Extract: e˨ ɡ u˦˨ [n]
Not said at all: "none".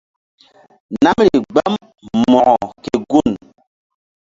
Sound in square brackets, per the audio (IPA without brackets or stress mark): n